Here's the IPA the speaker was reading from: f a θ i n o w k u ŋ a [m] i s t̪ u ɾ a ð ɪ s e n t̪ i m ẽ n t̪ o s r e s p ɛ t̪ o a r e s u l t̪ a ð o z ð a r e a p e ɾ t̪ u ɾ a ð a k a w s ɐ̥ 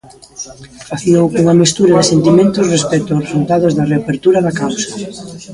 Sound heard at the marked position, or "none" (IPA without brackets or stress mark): m